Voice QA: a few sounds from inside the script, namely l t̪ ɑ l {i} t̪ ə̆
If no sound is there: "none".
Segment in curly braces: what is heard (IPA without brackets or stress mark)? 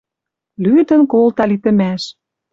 i